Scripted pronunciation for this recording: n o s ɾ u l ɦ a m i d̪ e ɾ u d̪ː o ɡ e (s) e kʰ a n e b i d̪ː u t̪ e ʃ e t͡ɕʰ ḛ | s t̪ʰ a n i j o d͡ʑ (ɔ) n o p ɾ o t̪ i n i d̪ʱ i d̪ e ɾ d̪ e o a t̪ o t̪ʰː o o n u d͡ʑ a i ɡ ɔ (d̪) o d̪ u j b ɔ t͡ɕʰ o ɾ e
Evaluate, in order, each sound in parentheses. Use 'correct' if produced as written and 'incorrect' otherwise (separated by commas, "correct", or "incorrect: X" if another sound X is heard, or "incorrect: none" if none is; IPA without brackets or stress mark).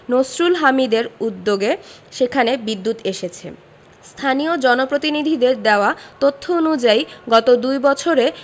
incorrect: ʃ, correct, incorrect: t̪